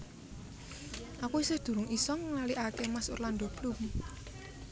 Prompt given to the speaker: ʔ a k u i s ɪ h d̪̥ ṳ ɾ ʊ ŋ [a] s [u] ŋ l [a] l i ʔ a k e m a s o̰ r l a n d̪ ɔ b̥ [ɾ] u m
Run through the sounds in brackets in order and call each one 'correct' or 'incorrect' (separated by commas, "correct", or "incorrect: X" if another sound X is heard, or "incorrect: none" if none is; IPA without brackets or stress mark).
incorrect: i, incorrect: ɔ, correct, incorrect: l